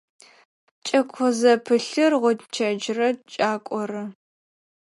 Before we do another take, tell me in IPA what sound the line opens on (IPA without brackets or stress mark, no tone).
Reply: t͡ʃʼ